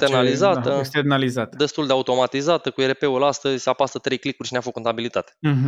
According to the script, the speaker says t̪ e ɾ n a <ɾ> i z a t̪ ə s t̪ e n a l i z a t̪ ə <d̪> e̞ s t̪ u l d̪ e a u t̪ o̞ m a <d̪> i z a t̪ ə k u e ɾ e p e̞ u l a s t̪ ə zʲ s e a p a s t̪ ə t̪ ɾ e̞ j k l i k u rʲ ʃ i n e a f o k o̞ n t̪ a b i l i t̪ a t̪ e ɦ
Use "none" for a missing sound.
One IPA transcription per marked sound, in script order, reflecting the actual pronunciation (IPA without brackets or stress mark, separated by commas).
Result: l, d̪, t̪